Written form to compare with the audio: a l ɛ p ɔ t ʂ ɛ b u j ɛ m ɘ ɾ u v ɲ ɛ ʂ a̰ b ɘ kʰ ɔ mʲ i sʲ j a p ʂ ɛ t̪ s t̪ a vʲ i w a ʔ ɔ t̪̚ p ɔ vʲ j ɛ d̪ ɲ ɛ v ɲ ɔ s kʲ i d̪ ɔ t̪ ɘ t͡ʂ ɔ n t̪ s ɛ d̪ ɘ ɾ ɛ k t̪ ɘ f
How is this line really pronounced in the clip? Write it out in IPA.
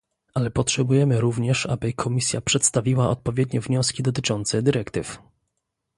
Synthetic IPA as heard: a l ɛ p ɔ t ʂ ɛ b u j ɛ m ɘ ɾ u v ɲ ɛ ʂ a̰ b ɘ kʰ ɔ mʲ i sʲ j a p ʂ ɛ t̪ s t̪ a vʲ i w a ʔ ɔ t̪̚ p ɔ vʲ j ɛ d̪ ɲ ɛ v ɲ ɔ s kʲ i d̪ ɔ t̪ ɘ t͡ʂ ɔ n t̪ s ɛ d̪ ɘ ɾ ɛ k t̪ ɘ f